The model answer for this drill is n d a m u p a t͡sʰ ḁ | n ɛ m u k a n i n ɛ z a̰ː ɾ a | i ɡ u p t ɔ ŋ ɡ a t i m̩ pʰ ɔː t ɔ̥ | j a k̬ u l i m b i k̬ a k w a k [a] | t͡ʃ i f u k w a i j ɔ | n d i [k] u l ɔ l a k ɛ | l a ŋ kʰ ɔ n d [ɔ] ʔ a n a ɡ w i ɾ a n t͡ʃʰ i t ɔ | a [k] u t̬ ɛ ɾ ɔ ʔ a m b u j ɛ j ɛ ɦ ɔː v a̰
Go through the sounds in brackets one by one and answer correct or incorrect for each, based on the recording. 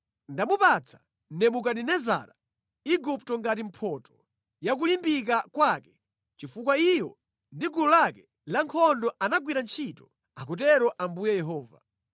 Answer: incorrect: ɛ, incorrect: ɡ, correct, correct

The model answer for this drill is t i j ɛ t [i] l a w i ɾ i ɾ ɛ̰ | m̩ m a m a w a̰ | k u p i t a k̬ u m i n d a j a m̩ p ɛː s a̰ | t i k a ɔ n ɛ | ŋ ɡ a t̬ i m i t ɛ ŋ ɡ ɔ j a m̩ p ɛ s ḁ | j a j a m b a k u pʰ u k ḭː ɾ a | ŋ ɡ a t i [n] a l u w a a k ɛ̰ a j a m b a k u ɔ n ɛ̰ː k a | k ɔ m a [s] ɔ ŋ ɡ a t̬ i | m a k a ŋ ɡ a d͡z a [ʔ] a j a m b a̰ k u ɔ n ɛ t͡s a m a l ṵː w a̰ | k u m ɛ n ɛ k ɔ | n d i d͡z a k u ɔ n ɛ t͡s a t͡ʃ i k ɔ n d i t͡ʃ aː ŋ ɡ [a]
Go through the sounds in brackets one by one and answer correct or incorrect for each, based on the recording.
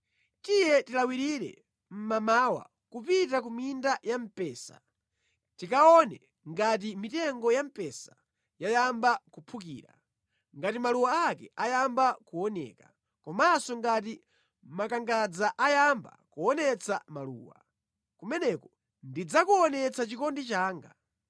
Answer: correct, incorrect: m, correct, correct, correct

